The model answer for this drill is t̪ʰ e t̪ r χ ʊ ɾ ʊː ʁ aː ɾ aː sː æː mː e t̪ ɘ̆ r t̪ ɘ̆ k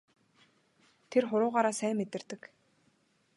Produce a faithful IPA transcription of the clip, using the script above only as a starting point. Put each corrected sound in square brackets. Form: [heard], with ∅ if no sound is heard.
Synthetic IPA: t̪ʰ e [∅] r χ ʊ ɾ ʊː ʁ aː ɾ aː [s] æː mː e t̪ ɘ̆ r t̪ ɘ̆ k